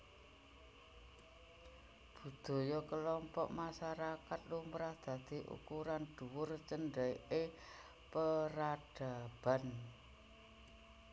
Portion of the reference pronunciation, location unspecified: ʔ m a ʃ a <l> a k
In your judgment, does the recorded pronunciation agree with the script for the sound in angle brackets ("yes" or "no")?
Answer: no